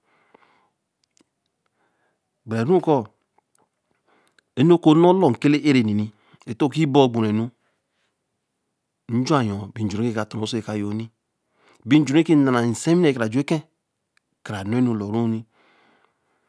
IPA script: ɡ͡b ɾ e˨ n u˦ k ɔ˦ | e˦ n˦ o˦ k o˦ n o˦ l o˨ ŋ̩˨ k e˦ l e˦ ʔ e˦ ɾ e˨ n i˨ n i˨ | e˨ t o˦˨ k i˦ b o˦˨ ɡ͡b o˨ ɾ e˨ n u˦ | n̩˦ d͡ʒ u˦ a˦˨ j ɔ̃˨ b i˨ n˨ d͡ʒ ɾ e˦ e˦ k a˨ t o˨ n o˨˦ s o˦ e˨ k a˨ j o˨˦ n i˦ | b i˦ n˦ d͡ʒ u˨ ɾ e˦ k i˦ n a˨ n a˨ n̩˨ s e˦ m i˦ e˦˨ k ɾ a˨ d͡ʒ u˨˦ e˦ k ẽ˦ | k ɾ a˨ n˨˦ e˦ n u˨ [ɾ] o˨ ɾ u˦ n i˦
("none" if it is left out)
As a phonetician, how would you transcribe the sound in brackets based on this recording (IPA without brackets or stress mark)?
l